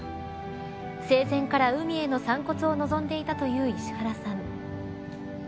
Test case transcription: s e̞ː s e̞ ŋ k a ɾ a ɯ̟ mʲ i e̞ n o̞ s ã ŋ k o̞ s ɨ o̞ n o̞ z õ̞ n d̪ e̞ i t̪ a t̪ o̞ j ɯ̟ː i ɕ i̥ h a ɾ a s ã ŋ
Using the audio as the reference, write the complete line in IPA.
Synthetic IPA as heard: s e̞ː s ẽ̞ ŋ k a ɾ a ɯ̟ mʲ i e̞ n o̞ s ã ŋ k o̞ t͡s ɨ o̞ n o̞ z õ̞ n d̪ e̞ i t̪ a t̪ o̞ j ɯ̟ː i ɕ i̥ h a ɾ a s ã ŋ